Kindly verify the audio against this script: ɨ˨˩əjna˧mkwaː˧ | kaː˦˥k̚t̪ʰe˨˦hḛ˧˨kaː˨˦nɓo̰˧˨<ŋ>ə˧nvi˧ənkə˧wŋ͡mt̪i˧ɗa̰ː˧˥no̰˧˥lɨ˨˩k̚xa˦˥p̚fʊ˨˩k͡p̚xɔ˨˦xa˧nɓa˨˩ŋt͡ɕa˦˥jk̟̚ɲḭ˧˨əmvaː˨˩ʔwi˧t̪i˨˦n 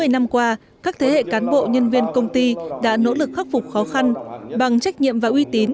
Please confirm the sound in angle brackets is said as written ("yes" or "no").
no